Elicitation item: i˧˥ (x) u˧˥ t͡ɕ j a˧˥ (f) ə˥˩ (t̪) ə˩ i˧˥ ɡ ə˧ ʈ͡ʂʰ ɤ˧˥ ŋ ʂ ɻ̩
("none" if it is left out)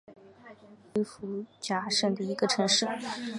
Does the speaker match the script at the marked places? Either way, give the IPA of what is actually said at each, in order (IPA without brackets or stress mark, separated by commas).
f, ʂ, d̪